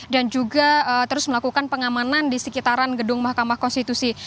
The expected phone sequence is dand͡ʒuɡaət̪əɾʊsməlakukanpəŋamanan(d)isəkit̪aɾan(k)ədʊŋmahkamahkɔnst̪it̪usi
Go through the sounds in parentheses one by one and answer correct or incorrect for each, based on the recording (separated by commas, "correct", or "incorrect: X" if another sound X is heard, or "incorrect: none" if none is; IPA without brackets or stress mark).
correct, incorrect: ɡ